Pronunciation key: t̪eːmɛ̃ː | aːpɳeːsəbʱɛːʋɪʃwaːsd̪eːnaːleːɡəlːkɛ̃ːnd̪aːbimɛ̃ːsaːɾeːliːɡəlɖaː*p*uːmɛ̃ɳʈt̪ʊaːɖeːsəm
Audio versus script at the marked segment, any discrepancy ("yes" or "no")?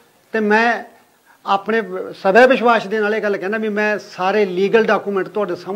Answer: yes